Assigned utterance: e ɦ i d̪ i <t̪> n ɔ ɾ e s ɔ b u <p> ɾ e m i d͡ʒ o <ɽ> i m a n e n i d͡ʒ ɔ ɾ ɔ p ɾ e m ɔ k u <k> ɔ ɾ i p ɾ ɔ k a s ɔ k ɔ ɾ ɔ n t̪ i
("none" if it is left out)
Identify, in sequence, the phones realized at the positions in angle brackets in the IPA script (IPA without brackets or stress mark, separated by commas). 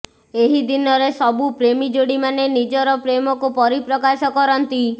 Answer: none, p, ɽ, p